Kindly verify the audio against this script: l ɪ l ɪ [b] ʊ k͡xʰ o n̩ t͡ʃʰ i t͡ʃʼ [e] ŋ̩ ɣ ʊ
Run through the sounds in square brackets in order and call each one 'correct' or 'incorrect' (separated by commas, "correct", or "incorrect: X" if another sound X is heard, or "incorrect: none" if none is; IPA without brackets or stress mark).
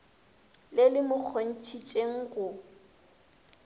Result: incorrect: m, correct